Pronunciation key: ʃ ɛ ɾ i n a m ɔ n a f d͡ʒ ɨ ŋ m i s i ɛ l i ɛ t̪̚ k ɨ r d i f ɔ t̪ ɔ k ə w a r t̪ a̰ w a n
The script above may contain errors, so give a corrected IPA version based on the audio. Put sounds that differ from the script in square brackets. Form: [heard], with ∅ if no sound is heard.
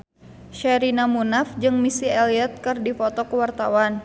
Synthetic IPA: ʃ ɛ ɾ i n a m [u] n a f d͡ʒ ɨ ŋ m i s i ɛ l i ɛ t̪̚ k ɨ r d i f ɔ t̪ ɔ k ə w a r t̪ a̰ w a n